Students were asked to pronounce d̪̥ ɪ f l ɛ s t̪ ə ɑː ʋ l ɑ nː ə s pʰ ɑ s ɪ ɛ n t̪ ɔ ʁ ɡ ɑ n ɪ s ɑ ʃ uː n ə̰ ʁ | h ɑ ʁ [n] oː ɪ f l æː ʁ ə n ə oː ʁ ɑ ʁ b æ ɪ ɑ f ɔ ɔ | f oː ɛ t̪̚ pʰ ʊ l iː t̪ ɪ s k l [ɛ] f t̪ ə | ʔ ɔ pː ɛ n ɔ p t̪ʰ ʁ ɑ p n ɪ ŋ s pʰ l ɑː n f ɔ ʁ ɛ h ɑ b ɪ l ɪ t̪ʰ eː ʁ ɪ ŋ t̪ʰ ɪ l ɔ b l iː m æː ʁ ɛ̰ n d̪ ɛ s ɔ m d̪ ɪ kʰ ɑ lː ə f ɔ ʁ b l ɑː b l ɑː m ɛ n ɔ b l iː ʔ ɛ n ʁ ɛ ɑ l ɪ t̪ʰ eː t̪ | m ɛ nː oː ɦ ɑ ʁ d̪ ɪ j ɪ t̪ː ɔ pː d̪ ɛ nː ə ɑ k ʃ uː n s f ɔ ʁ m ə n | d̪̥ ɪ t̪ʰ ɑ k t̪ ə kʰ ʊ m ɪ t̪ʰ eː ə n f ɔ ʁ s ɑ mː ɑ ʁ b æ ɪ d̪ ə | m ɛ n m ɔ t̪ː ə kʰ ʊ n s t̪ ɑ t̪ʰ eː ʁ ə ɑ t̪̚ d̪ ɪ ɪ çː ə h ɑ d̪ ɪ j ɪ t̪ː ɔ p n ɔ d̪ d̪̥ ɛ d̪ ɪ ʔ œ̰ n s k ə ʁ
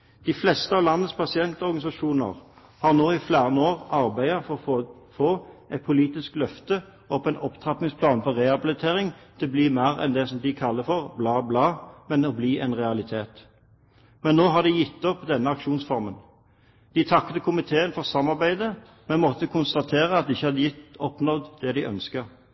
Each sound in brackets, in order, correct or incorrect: correct, incorrect: œ

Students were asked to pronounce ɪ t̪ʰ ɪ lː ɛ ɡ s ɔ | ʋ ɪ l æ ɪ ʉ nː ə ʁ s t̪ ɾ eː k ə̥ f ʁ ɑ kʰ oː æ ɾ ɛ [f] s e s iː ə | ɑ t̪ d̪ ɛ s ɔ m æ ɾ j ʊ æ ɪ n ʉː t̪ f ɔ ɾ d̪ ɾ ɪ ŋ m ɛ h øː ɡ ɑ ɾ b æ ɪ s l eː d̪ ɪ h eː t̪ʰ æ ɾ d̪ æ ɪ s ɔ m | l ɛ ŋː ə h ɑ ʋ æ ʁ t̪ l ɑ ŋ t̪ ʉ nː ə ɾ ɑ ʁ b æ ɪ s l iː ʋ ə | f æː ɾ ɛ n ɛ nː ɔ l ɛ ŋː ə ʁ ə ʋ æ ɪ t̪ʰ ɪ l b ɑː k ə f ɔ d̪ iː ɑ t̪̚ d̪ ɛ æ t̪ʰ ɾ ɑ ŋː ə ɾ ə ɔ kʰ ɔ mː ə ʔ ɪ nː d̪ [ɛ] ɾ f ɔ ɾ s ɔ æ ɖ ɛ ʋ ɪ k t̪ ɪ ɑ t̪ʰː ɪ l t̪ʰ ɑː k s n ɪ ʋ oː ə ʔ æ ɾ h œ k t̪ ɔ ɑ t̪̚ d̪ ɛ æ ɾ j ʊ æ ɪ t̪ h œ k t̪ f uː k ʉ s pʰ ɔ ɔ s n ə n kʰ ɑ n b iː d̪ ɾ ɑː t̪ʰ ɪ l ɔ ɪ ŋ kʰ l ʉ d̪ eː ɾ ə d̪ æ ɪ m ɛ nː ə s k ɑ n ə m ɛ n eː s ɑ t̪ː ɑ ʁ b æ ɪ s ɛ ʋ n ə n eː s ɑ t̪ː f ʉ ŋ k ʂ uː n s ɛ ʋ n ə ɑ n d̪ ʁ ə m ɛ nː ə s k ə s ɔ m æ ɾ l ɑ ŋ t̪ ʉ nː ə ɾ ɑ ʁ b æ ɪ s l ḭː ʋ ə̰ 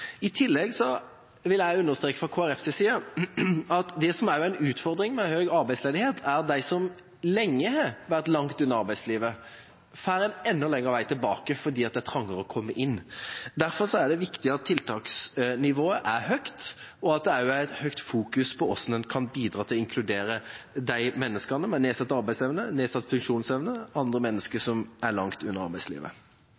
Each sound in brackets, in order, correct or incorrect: correct, incorrect: æ

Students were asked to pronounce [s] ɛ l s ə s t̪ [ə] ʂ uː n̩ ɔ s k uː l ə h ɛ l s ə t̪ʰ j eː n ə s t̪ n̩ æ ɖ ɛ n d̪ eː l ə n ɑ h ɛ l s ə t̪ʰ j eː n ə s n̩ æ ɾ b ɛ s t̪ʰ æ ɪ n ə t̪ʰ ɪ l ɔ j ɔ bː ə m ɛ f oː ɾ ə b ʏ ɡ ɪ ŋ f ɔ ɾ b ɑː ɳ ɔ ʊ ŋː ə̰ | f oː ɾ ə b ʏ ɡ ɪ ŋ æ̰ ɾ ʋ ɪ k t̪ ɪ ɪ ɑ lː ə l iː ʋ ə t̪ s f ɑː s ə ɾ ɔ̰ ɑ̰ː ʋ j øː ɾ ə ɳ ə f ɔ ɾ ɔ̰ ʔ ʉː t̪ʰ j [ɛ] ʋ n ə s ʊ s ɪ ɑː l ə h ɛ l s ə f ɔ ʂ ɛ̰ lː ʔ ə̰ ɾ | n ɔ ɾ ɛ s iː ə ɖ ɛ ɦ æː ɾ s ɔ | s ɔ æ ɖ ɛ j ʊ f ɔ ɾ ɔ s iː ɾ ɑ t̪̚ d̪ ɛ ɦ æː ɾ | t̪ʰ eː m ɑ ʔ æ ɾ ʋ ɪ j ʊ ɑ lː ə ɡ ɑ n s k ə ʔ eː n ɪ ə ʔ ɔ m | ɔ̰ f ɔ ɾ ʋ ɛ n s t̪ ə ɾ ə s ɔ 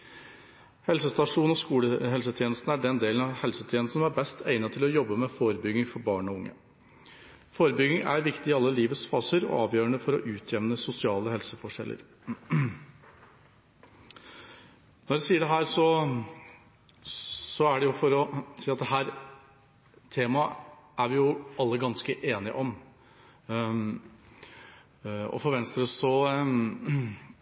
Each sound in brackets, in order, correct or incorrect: incorrect: h, incorrect: ɑ, correct

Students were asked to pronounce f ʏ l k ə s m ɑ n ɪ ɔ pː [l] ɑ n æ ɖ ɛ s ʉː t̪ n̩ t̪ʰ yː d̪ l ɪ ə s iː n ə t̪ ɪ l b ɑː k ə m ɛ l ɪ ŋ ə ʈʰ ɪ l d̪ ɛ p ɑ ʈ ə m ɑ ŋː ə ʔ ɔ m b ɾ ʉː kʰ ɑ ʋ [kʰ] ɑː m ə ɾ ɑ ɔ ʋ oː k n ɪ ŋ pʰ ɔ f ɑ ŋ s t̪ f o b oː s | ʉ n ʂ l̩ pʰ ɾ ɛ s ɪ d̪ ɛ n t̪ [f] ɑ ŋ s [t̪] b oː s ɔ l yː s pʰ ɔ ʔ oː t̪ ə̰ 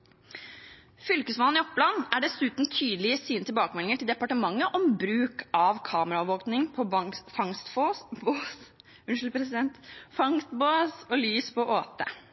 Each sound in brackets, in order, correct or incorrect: correct, correct, correct, correct

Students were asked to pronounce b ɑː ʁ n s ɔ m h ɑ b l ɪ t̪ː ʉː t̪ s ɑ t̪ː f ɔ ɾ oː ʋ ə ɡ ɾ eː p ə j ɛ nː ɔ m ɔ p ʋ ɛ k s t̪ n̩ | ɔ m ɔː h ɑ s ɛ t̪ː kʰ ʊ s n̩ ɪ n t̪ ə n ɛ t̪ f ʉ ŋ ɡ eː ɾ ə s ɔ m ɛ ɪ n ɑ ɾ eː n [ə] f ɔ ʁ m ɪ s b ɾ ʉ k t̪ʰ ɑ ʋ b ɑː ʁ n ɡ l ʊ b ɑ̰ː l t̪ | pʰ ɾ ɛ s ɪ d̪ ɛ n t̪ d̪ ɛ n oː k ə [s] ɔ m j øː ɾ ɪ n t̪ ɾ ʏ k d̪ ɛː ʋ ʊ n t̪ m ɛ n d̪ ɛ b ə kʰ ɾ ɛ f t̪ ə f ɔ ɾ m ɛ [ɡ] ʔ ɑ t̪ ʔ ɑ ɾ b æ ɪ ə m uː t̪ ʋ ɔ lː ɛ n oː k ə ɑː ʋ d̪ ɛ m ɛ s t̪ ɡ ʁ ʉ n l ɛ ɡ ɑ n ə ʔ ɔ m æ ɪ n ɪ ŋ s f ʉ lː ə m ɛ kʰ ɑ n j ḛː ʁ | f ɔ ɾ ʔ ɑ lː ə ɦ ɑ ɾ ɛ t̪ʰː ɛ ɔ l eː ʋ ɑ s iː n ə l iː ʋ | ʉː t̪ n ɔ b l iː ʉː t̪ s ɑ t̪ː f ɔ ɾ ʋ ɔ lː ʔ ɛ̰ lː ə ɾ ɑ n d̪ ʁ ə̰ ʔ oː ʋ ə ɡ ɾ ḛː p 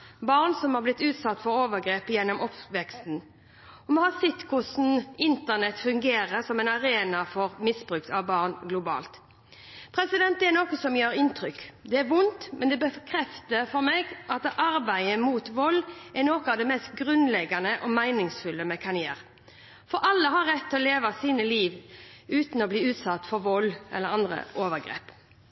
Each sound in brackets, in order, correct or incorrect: incorrect: ɑ, correct, correct

